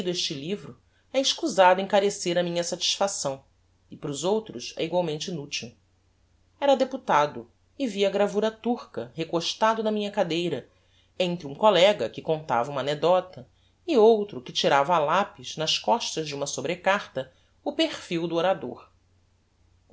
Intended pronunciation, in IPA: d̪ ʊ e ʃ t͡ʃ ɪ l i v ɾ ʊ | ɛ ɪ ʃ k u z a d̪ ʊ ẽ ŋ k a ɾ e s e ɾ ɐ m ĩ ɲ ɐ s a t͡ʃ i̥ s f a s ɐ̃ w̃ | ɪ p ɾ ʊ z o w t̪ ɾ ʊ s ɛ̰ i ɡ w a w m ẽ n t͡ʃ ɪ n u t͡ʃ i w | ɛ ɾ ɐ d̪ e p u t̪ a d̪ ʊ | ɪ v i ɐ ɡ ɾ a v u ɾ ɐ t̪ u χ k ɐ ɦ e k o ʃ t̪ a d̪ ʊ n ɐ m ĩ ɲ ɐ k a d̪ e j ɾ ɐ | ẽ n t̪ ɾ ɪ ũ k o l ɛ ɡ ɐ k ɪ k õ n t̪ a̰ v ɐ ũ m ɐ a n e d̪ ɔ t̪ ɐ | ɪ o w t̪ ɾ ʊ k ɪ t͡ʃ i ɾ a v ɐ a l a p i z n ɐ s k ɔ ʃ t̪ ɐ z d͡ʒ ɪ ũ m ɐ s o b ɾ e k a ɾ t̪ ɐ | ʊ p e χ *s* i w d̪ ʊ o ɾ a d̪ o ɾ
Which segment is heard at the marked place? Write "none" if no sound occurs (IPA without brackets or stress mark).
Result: f